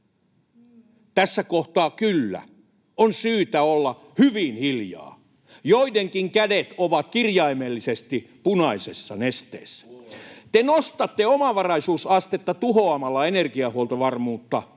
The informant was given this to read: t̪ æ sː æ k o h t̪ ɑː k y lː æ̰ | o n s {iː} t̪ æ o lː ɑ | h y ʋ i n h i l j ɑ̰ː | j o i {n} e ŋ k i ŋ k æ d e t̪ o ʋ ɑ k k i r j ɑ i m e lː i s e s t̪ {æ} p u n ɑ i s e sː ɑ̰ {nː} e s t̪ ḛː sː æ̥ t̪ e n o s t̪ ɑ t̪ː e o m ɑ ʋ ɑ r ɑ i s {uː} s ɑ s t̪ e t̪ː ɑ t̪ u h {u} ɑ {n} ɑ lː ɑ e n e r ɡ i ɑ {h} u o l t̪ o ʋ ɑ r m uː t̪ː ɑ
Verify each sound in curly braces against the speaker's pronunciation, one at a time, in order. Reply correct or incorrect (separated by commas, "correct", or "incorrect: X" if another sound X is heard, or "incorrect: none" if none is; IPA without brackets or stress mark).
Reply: incorrect: yː, incorrect: d, incorrect: i, incorrect: n, correct, incorrect: o, incorrect: m, correct